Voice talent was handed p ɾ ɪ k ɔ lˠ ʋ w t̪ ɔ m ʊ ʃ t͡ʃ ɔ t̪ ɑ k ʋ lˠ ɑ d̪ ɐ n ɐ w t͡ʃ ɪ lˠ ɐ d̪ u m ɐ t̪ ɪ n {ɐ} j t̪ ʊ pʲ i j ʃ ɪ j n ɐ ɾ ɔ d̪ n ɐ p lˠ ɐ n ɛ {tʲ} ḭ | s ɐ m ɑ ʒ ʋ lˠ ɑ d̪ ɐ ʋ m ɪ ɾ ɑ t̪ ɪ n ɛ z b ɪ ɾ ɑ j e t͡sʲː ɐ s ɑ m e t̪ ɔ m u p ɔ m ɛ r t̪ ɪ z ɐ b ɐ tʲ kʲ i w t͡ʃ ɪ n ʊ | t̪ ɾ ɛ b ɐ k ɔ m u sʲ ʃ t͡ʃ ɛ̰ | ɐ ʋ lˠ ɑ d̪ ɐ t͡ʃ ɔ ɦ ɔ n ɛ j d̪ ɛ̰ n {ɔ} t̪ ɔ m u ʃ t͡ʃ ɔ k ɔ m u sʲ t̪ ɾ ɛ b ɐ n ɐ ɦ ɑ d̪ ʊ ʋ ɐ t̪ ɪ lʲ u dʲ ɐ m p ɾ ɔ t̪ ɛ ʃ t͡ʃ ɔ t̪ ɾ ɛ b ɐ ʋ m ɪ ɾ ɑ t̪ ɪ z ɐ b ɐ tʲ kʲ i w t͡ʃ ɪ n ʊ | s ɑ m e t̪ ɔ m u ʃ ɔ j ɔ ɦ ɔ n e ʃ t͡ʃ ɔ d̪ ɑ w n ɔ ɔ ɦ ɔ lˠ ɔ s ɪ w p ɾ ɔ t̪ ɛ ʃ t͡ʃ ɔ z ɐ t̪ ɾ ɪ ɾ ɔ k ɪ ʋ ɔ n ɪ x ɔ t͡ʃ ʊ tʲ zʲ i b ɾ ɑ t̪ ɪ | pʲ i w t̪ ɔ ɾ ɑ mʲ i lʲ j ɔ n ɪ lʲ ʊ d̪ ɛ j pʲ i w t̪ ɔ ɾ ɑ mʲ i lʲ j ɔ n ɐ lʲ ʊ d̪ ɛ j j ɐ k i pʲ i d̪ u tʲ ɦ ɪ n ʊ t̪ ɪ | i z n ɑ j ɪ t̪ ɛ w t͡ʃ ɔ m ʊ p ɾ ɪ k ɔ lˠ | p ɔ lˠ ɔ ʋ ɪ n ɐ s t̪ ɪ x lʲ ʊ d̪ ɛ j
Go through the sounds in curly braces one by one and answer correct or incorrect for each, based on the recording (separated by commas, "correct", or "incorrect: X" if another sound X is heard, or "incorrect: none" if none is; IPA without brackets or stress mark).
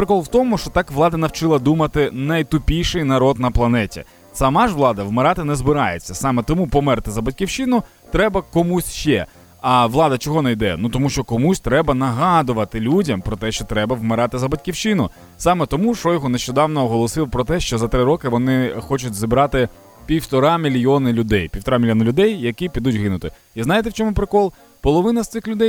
correct, correct, incorrect: u